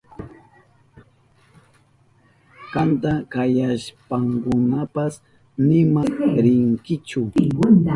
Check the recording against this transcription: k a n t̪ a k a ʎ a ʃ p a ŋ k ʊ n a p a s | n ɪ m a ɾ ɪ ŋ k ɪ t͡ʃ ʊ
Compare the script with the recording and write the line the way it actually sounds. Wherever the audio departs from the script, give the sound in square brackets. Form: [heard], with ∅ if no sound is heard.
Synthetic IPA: k a n t̪ a k a [j] a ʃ p a ŋ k ʊ n a p a s | n ɪ m a ɾ ɪ ŋ k ɪ t͡ʃ ʊ